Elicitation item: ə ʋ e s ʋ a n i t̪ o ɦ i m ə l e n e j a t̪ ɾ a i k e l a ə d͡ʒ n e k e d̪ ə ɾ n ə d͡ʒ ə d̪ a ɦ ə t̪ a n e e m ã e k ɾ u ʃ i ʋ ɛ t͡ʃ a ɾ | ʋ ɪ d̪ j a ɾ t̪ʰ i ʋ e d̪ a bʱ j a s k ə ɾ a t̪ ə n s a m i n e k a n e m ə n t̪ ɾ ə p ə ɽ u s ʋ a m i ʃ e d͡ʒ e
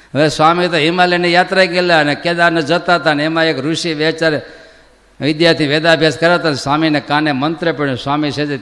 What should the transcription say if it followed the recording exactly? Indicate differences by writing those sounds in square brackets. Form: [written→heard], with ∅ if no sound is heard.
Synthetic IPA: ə ʋ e s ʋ a [n→m] i t̪ o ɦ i m [ə→a] l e n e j a t̪ ɾ a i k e l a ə [d͡ʒ→∅] n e k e d̪ [ə→a] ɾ n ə d͡ʒ ə [d̪→t̪] a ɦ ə t̪ a n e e m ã e k ɾ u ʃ i ʋ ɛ t͡ʃ a ɾ | ʋ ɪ d̪ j a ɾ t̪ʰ i ʋ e d̪ a bʱ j a s k ə ɾ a t̪ [ə→a] n s a m i n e k a n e m ə n t̪ ɾ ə p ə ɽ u s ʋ a m i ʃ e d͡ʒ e